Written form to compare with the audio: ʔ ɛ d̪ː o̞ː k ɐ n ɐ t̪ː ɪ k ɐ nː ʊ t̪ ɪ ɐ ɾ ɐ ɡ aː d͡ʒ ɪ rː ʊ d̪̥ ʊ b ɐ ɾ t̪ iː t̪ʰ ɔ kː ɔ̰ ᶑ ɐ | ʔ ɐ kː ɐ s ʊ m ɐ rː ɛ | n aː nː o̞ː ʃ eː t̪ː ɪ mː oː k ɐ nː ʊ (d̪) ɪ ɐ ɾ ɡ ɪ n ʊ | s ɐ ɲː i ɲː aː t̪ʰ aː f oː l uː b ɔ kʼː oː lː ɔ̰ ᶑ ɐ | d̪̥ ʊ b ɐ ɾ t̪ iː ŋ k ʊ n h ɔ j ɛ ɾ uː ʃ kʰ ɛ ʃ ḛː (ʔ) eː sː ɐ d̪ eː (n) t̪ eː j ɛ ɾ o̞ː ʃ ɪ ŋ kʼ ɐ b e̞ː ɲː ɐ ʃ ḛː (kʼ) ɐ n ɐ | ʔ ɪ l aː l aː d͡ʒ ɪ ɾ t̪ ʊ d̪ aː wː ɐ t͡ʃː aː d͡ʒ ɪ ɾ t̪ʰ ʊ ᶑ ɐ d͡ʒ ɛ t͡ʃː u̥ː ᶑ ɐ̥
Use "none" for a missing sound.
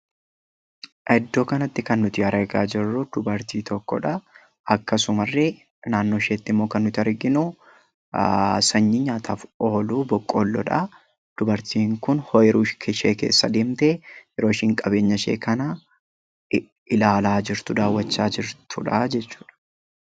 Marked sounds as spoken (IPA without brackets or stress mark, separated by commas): t̪, k, m, k